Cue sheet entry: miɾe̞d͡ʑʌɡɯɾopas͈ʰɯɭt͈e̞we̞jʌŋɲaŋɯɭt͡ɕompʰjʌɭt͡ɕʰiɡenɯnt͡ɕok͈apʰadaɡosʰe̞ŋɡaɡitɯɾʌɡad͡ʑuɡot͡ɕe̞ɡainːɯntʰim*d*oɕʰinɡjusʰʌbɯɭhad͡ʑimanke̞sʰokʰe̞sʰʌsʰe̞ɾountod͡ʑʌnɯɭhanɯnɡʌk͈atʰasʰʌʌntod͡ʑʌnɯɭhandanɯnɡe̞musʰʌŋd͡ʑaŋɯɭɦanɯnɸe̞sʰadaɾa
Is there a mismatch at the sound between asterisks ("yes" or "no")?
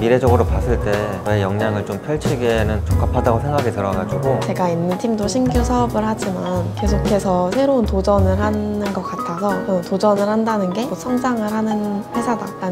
no